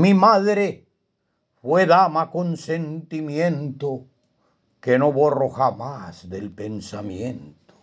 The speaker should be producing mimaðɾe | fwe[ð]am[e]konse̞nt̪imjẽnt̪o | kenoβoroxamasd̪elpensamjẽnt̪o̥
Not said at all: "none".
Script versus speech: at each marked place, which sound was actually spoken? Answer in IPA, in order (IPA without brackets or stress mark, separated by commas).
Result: ð, a